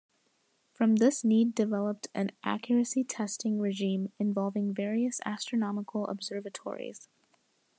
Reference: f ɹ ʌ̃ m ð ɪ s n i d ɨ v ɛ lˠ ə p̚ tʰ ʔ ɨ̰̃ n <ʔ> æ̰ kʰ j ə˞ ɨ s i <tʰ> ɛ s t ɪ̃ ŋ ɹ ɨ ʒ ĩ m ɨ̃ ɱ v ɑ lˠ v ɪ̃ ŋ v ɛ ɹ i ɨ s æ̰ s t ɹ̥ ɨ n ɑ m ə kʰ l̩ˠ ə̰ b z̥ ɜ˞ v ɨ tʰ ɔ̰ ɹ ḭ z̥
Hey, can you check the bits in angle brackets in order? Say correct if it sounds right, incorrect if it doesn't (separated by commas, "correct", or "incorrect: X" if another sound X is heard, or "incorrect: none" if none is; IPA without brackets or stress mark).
correct, correct